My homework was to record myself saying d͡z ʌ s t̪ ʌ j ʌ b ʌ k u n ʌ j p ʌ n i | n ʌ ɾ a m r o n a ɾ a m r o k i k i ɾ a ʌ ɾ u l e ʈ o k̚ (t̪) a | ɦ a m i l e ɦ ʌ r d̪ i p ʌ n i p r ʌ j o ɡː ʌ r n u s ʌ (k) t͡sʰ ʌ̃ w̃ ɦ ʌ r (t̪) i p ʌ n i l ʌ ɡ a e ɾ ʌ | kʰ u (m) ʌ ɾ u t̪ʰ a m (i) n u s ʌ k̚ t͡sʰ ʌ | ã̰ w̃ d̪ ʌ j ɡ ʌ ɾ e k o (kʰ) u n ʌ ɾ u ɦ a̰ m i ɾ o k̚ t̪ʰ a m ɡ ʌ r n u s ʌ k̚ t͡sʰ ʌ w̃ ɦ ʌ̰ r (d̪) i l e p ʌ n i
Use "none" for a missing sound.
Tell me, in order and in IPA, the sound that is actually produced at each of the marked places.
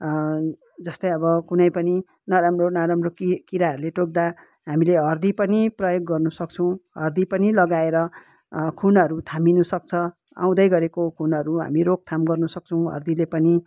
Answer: d̪, k, d̪, n, i, kʰ, d̪

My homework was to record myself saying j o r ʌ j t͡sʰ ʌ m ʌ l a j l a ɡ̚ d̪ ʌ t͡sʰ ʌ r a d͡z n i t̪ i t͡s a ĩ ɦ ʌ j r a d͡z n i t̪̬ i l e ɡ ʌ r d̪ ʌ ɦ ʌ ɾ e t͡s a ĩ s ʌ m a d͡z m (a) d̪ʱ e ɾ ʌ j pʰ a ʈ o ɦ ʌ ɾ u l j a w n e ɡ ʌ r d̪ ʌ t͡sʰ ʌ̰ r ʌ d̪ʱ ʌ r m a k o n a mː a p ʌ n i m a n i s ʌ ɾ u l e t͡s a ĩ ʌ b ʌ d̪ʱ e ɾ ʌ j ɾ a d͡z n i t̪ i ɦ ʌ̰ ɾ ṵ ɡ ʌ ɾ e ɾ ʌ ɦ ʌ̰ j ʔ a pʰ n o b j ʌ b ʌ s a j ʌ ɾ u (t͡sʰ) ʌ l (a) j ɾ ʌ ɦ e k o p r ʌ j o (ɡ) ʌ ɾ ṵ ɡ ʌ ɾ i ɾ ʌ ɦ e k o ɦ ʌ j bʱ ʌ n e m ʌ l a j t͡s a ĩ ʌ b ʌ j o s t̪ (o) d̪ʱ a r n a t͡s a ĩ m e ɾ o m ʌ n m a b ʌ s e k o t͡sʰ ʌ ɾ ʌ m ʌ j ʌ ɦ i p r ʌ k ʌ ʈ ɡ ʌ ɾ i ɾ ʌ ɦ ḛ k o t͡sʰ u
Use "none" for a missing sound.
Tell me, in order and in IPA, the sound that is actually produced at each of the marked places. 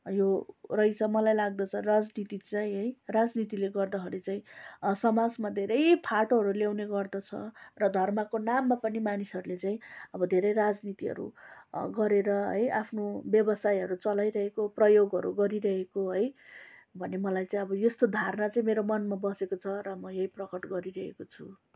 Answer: a, t͡s, a, ɡ, o

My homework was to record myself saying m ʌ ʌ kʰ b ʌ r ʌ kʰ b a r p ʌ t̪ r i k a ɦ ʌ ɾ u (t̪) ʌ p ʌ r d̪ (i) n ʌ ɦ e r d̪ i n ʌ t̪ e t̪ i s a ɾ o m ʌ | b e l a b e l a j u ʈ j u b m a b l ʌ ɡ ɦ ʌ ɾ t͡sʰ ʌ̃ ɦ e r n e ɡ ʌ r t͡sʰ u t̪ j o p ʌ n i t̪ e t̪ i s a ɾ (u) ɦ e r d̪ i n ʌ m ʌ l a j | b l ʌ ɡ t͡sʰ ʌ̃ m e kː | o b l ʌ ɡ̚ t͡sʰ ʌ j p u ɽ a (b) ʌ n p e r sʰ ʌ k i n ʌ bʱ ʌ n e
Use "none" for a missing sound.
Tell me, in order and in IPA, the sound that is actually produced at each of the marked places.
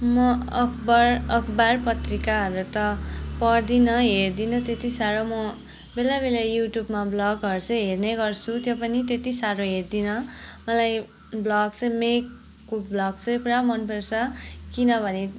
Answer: t̪, i, o, m

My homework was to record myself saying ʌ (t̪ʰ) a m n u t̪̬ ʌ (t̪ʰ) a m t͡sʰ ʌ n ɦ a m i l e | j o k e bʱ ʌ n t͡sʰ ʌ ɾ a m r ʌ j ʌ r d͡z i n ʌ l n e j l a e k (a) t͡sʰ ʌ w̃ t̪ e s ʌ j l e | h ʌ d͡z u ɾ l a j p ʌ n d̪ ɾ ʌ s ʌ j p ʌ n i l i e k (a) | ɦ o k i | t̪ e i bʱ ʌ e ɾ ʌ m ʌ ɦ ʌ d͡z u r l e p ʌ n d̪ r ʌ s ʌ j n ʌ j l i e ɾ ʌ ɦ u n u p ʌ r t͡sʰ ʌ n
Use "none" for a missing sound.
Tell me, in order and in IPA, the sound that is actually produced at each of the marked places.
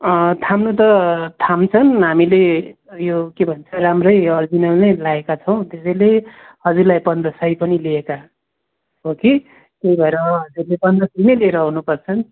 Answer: t̪ʰ, t̪ʰ, a, a

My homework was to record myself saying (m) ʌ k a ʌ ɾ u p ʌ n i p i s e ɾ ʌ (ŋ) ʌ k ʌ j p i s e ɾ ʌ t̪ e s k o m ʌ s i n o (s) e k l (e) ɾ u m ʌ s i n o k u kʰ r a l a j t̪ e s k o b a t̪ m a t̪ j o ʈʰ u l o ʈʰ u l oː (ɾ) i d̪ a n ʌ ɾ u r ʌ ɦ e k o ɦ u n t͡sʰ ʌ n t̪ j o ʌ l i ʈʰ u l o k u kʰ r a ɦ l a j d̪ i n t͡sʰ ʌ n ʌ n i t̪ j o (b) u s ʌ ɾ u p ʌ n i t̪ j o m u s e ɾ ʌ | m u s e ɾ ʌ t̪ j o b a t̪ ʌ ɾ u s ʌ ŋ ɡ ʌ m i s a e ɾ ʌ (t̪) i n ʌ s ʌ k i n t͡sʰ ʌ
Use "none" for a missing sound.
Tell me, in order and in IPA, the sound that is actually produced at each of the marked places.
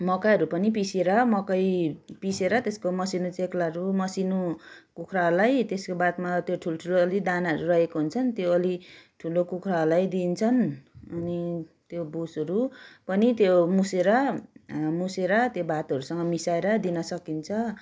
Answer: m, m, t͡s, a, l, b, d̪

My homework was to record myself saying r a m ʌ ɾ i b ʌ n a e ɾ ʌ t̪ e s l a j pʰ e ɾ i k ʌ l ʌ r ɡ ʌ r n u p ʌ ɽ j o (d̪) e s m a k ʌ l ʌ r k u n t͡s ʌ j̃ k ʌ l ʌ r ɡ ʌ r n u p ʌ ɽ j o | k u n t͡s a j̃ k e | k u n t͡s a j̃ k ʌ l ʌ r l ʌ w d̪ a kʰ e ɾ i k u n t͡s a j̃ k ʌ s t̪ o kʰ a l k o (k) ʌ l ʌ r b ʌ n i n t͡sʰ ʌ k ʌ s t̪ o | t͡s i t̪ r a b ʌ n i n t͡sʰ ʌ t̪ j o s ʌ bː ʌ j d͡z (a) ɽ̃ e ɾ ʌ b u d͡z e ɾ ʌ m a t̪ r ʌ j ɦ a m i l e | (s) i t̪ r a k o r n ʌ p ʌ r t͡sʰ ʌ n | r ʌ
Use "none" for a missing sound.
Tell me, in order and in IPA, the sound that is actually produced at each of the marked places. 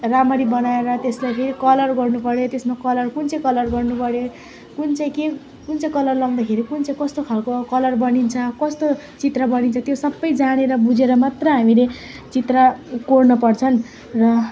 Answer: t̪, k, a, t͡s

